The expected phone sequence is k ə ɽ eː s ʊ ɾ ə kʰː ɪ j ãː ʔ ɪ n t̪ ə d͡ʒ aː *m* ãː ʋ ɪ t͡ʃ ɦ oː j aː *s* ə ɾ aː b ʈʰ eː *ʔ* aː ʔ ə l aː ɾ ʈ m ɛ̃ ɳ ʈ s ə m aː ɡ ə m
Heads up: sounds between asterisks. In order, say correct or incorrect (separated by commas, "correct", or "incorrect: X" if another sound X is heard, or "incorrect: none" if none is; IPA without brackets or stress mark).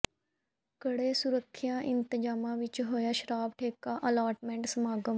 correct, incorrect: ʃ, incorrect: k